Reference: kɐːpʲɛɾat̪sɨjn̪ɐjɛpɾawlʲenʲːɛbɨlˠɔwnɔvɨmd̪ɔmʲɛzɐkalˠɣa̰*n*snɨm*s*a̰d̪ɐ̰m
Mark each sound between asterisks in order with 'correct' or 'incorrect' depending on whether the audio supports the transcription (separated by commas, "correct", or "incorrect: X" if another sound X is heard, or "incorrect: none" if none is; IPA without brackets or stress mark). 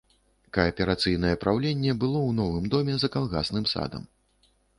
incorrect: none, correct